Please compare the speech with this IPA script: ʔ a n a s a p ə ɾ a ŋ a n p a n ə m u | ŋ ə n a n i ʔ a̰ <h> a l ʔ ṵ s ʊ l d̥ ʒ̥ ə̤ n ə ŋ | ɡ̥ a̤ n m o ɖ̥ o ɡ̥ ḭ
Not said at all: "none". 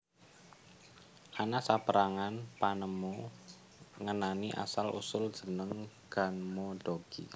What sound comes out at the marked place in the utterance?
s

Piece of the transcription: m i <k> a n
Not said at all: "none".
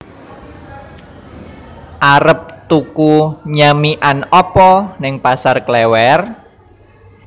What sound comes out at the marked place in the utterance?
ʔ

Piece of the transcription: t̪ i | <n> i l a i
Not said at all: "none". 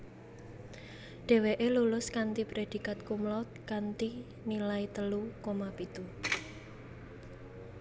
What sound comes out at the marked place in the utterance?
n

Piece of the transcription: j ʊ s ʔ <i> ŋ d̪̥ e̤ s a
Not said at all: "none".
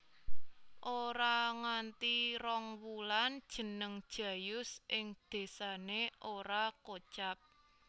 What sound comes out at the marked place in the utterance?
ɪ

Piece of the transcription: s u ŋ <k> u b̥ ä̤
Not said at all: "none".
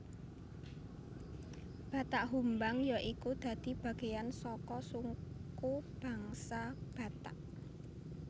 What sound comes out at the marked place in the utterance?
k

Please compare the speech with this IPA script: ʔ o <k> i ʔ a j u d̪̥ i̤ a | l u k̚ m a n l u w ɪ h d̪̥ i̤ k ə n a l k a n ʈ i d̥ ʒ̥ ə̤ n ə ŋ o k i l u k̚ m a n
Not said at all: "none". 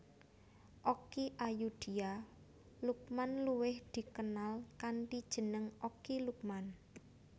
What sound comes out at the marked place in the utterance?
k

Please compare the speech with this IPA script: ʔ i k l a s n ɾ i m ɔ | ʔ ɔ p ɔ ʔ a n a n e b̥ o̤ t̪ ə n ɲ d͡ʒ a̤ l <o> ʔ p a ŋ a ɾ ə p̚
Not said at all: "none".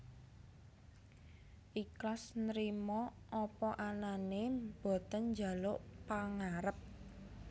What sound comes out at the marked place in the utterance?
o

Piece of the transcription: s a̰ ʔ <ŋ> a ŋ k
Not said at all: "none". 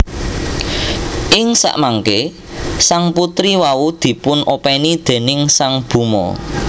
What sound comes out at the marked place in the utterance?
m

